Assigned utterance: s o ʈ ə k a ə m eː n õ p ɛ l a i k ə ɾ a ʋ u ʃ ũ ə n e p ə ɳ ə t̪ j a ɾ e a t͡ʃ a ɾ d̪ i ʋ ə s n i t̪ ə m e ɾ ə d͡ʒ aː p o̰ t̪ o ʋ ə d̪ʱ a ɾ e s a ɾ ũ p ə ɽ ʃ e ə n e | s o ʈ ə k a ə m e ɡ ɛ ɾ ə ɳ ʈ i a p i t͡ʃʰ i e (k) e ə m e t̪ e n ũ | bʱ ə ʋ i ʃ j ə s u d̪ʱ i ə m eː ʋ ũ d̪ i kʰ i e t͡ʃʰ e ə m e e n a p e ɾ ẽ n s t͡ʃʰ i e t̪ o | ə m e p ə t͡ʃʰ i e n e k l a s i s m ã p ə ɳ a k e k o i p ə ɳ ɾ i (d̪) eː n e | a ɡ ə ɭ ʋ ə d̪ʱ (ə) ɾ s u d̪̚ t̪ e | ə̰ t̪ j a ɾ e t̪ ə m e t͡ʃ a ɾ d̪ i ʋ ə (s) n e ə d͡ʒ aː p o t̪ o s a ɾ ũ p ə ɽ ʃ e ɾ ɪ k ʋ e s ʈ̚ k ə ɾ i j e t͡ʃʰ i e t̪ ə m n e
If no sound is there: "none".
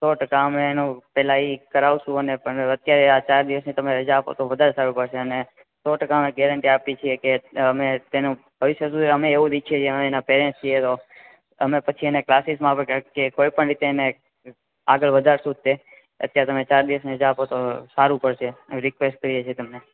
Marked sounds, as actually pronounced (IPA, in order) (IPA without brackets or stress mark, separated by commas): k, t̪, a, s